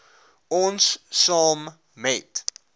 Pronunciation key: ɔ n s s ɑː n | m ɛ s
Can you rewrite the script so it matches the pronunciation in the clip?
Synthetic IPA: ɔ n s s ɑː m | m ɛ t